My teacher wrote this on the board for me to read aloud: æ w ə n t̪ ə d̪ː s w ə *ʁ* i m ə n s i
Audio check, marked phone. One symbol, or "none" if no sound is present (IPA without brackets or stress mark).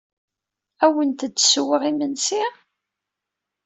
ʁ